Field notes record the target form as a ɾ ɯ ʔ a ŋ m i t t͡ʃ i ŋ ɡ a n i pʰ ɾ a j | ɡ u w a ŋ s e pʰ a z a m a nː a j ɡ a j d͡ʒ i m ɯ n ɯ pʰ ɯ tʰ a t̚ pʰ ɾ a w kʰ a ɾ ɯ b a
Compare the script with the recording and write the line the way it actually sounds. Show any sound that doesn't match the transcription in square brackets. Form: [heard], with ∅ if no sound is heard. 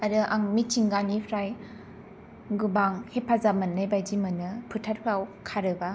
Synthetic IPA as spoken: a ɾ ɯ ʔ a ŋ m i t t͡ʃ i ŋ ɡ a n i pʰ ɾ a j | ɡ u [b] a ŋ [h] e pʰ a z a m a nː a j [b] a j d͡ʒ i m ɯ n ɯ pʰ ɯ tʰ a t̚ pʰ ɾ a w kʰ a ɾ ɯ b a